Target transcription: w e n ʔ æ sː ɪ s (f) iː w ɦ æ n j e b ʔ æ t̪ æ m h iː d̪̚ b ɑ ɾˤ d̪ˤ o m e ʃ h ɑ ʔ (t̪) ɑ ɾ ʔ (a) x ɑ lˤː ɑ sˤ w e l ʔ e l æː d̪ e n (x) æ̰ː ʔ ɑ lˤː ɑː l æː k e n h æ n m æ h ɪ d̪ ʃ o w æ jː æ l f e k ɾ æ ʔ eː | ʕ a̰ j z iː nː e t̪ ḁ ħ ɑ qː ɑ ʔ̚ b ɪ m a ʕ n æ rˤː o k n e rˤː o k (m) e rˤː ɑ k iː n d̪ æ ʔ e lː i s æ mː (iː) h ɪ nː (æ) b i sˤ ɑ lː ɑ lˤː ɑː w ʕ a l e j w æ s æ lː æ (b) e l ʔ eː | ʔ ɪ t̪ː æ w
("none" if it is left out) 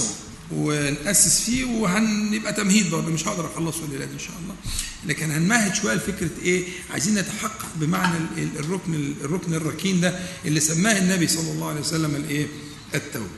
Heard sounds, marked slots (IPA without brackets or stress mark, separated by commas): f, d̪, ɑ, ʃ, n, æː, æ, m